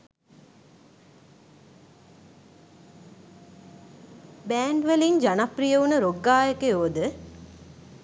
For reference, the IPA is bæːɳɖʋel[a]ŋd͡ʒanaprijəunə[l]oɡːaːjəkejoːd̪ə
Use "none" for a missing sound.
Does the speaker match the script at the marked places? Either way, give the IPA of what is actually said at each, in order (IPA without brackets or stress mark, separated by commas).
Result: i, ɾ